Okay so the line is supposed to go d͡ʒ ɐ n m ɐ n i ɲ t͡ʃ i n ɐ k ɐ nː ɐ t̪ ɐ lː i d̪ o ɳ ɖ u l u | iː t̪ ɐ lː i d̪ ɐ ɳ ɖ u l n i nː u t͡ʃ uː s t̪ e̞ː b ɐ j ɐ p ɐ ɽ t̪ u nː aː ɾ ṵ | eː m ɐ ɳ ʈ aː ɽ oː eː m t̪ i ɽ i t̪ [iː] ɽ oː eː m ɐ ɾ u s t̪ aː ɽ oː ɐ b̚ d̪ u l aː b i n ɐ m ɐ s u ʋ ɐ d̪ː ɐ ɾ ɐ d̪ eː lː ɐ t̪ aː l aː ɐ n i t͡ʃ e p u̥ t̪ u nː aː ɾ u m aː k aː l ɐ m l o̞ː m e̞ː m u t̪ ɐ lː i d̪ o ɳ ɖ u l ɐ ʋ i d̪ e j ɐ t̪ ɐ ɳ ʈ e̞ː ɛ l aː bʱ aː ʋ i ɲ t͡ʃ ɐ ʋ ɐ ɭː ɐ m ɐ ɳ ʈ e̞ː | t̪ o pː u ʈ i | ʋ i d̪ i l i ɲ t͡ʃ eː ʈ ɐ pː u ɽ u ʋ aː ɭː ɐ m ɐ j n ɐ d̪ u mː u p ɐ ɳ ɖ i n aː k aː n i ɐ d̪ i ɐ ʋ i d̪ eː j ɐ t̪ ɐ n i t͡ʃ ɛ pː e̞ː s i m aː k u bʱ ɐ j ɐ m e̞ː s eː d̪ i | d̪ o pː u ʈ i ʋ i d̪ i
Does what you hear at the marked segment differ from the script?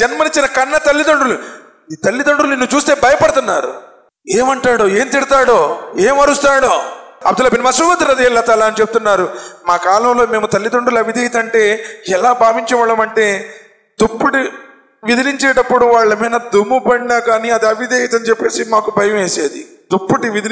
yes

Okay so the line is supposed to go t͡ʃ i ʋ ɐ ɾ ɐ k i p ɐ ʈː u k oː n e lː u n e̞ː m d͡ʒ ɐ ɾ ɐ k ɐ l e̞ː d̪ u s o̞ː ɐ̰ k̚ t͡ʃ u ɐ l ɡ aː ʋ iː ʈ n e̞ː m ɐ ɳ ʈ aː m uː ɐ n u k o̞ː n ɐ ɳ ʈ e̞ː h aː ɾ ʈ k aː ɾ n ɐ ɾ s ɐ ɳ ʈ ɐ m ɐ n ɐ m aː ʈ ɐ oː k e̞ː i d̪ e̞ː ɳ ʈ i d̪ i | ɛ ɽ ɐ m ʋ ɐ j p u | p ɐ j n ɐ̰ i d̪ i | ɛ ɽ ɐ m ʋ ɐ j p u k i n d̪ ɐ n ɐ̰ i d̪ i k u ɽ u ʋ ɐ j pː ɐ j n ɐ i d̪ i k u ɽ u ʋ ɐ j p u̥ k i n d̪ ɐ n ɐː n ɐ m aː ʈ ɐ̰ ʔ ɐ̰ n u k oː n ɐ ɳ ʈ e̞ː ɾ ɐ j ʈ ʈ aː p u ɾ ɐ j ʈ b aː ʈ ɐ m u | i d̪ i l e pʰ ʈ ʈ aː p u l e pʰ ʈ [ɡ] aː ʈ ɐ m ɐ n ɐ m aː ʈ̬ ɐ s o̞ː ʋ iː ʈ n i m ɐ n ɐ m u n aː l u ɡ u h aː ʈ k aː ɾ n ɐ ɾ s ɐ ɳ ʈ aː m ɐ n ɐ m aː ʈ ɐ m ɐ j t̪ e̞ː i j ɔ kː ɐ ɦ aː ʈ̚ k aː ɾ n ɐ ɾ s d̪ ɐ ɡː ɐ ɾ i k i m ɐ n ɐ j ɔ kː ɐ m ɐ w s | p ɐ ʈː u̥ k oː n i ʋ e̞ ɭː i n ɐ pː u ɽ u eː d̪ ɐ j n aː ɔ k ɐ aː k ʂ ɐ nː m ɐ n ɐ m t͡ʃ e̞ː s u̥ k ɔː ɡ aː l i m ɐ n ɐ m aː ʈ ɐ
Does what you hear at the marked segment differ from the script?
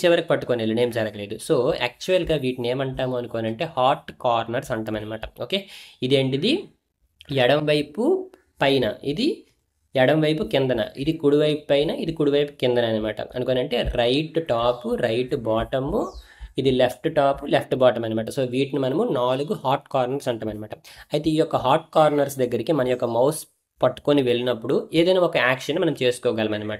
yes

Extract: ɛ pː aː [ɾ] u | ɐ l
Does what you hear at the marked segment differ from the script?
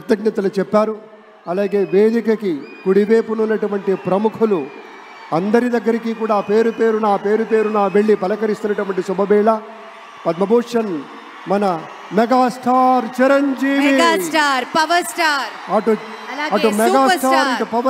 no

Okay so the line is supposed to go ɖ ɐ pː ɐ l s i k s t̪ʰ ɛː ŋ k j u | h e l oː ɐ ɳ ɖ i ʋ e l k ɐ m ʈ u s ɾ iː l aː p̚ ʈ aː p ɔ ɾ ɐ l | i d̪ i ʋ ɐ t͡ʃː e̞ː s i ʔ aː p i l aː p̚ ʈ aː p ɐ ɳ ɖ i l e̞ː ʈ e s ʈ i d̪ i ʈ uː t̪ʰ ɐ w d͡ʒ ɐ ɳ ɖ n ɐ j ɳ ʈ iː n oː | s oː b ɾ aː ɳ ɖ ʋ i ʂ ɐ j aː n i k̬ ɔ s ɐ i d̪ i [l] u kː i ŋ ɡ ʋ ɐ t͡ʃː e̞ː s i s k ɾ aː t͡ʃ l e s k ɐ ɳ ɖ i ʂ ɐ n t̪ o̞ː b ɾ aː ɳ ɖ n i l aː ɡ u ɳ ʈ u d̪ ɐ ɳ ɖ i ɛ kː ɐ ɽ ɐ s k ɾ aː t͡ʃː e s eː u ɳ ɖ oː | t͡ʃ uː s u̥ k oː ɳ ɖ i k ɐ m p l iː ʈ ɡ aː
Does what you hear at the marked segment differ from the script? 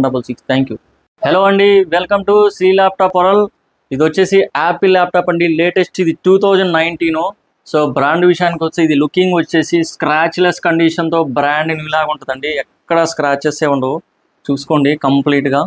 no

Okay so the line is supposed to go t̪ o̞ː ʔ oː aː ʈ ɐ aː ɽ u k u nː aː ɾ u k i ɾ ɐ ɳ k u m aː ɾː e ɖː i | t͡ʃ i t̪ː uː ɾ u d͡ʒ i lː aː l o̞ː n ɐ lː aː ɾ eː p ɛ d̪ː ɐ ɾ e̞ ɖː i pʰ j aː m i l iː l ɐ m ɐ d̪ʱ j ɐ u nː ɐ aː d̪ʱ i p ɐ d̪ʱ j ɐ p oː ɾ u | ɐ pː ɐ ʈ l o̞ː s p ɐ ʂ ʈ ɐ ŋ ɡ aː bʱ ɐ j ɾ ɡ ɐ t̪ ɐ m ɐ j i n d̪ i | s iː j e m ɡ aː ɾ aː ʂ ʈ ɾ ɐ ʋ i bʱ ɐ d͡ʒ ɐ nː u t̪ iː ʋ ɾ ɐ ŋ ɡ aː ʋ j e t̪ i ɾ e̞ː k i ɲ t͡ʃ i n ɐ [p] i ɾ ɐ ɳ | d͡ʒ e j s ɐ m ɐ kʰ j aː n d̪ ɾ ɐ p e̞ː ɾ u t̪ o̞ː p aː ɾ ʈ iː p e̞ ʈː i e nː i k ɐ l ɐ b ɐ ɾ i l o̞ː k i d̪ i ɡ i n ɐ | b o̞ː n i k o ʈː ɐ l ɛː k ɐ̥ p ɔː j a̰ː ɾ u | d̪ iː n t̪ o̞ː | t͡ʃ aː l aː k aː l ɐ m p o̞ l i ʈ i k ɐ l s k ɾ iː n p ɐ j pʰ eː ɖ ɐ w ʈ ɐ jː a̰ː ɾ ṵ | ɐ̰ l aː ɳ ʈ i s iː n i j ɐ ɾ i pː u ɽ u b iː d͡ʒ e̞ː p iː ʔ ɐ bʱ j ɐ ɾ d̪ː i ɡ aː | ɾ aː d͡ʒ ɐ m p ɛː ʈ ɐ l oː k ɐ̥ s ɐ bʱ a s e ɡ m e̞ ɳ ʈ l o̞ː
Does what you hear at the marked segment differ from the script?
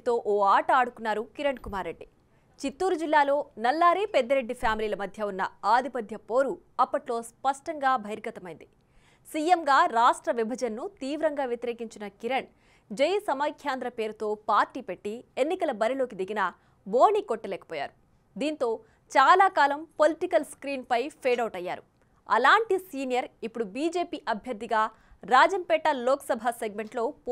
yes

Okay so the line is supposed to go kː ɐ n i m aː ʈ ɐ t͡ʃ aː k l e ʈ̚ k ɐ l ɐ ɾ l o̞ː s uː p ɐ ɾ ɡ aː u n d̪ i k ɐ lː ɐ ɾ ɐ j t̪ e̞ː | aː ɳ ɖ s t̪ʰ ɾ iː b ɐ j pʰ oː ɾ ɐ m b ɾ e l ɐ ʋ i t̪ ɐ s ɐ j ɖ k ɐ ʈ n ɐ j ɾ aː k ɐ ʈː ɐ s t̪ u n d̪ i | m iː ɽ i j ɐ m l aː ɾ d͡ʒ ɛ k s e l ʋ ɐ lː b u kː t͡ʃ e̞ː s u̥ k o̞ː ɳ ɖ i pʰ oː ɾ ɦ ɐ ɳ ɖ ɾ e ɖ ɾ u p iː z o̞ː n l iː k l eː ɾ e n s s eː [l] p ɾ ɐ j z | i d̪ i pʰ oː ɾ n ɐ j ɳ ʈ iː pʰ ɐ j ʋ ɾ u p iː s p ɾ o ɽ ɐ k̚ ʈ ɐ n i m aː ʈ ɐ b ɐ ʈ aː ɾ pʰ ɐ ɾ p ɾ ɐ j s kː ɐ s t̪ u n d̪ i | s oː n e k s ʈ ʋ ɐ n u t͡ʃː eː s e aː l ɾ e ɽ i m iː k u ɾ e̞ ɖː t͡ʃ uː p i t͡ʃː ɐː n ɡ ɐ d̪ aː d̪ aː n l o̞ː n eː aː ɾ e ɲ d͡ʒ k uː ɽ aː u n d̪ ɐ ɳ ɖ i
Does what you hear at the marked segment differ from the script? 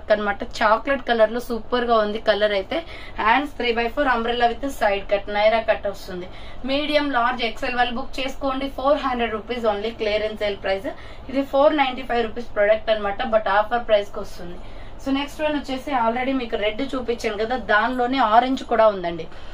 no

